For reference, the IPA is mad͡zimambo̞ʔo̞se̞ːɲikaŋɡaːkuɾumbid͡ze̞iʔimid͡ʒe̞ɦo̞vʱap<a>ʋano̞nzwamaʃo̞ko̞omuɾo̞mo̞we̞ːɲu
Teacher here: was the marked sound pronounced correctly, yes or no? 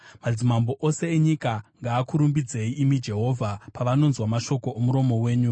yes